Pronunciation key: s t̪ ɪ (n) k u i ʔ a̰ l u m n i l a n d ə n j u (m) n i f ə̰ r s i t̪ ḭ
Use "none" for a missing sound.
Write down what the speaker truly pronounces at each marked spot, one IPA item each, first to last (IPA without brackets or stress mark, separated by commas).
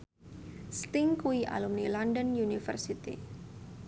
ŋ, none